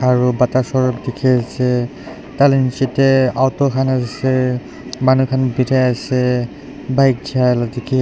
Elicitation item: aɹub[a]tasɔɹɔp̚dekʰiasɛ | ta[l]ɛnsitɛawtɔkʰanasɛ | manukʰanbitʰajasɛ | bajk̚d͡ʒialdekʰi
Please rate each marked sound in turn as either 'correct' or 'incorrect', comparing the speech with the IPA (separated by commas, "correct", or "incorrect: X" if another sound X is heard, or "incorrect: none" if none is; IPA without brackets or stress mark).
correct, correct